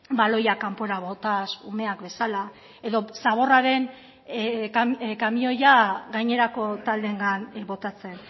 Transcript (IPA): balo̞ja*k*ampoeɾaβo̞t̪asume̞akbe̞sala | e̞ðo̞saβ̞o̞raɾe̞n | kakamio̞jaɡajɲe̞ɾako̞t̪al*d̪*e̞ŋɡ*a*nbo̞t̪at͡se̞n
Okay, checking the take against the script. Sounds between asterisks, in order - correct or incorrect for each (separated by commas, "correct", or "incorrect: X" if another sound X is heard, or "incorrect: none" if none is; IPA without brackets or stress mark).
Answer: correct, correct, correct